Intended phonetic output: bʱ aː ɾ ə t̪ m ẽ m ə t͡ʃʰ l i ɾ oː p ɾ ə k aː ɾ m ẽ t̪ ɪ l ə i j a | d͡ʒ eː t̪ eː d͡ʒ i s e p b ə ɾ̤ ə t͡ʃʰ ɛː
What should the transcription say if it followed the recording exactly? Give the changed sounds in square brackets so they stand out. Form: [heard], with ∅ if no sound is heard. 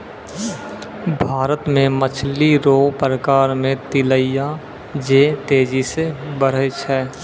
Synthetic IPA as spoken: bʱ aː ɾ ə t̪ m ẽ m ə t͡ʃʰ l i ɾ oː p ɾ ə k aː ɾ m ẽ t̪ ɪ l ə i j a | d͡ʒ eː t̪ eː d͡ʒ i s e [∅] b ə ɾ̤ ə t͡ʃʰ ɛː